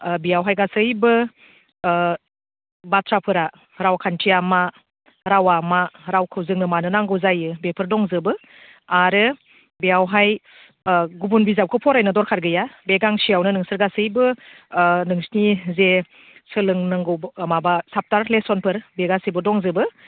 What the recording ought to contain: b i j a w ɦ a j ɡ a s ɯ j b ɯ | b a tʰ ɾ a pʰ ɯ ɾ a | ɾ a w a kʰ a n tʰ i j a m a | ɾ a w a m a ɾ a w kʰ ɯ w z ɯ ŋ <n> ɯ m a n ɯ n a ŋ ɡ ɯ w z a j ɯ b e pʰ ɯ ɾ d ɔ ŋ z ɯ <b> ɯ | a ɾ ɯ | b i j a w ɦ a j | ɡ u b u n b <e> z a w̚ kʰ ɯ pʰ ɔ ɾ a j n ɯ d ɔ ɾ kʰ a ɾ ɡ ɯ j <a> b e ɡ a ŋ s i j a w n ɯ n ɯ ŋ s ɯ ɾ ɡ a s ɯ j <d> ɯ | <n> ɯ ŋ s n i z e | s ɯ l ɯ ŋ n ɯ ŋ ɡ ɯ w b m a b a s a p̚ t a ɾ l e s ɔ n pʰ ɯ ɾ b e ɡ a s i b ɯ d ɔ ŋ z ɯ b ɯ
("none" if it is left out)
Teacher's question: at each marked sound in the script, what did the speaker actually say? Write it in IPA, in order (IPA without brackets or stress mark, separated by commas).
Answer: n, b, i, a, b, n